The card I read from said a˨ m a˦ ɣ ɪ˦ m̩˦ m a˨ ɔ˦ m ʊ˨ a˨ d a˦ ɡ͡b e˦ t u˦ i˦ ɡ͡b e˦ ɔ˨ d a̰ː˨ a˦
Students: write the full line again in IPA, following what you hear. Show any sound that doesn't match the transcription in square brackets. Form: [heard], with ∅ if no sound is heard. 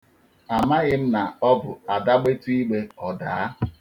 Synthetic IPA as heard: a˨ m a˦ ɣ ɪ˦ m̩˦ [n] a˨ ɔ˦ [b] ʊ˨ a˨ d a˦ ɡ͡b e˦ t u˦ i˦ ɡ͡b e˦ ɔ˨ d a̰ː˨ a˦

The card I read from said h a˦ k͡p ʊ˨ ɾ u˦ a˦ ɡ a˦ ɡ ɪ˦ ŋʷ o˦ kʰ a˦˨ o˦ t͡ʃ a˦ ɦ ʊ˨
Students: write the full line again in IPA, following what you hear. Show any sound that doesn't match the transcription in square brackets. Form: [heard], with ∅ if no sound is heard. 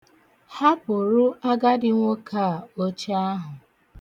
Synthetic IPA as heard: h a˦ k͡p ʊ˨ ɾ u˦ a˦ ɡ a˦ [d] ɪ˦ ŋʷ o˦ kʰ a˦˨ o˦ t͡ʃ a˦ ɦ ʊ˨

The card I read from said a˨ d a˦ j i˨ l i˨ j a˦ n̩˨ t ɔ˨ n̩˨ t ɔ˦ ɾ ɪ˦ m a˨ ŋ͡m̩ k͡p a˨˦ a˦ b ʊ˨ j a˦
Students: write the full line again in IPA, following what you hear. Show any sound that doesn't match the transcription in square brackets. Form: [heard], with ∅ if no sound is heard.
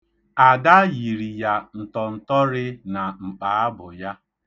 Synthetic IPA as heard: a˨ d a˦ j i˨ [ɾ] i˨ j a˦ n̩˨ t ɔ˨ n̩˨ t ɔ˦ ɾ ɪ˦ [n] a˨ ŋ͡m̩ k͡p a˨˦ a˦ b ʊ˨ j a˦

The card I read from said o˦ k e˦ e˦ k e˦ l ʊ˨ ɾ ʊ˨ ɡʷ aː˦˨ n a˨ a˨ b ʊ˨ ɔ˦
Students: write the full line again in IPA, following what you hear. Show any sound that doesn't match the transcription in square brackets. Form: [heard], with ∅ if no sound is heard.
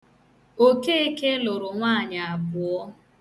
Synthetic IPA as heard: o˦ k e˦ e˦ k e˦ l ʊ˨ ɾ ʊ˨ [ŋʷ] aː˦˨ [ɲ] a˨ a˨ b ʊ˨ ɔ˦

